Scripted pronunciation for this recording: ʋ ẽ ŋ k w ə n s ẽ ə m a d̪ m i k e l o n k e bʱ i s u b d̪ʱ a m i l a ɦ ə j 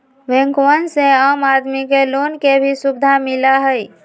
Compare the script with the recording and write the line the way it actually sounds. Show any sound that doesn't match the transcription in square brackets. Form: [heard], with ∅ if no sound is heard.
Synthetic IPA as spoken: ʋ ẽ ŋ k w ə n s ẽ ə m a d̪ m i k e l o n k e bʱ i s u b d̪ʱ a m i l a ɦ ə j

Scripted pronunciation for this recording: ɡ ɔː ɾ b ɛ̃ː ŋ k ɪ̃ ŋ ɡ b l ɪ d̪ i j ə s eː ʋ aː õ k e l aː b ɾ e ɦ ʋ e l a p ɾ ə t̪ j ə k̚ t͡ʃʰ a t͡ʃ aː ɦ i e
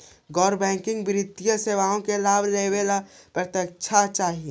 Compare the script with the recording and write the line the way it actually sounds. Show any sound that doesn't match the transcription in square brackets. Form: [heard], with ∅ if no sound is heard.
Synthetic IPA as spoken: ɡ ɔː ɾ b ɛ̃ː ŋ k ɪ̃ ŋ ɡ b [ɾ] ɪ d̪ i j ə s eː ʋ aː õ k e l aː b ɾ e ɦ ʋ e l a p ɾ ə t̪ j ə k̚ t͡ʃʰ a t͡ʃ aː ɦ i e

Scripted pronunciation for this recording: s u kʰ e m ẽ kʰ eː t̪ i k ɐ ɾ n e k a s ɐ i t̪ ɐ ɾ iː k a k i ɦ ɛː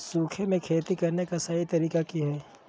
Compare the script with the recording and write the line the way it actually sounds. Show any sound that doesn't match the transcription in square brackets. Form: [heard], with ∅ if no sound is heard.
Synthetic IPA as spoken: s [uː] kʰ e m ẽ kʰ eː t̪ i k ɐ ɾ n e k a s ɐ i t̪ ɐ ɾ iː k a k i ɦ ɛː

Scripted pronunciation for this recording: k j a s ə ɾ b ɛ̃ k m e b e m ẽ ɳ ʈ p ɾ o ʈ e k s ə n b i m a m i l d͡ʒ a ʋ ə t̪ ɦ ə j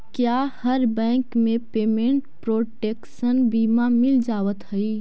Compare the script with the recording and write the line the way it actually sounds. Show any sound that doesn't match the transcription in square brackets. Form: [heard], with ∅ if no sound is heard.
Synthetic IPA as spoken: k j a [h] ə ɾ b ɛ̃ k m e [p] e m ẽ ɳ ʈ p ɾ o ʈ e k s ə n b i m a m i l d͡ʒ a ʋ ə t̪ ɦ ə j

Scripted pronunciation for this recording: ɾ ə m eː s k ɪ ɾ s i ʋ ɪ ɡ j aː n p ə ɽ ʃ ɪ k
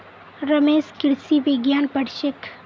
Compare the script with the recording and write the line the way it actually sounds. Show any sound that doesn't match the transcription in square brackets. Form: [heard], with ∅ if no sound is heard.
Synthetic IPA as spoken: ɾ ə m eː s k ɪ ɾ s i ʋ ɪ ɡ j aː n p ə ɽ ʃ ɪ k

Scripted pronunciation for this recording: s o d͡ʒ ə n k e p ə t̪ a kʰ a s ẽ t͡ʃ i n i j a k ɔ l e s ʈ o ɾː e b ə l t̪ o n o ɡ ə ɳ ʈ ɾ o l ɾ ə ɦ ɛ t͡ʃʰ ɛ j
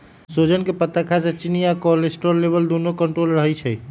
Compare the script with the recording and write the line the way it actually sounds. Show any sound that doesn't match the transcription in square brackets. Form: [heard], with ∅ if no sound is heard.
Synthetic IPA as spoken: s o d͡ʒ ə n k e p ə t̪ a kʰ a s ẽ t͡ʃ i n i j a k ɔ l e s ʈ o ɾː e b ə l [d̪] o n o [k] ə ɳ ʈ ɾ o l ɾ ə ɦ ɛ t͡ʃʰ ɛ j

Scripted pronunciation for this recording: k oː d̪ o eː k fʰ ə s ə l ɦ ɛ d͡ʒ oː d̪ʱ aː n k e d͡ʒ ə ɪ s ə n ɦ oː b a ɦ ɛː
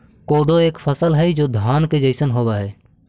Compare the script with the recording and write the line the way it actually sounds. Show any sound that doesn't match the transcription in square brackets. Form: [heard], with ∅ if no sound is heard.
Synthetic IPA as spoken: k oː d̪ o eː k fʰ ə s ə l ɦ ɛ d͡ʒ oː d̪ʱ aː n k e d͡ʒ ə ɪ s ə n ɦ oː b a ɦ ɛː

